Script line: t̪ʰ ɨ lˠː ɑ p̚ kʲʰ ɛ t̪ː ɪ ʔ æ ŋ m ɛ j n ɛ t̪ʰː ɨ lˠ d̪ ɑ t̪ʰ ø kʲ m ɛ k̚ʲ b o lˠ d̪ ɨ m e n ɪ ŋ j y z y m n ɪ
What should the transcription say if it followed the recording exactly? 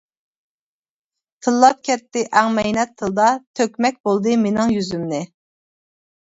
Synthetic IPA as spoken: t̪ʰ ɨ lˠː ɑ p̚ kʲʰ ɛ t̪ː ɪ ʔ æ ŋ m ɛ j n ɛ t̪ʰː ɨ lˠ d̪ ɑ t̪ʰ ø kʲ m ɛ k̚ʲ b o lˠ d̪ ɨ m e n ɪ ŋ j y z y m n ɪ